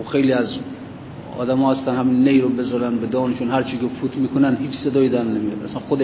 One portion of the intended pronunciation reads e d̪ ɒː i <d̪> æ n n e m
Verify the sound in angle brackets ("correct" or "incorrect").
correct